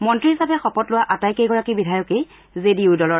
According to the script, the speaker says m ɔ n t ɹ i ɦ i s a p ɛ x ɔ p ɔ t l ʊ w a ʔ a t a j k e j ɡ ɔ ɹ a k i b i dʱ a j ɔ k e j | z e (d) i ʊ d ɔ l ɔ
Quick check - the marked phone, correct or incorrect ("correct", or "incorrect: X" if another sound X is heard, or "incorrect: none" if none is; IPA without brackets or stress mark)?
correct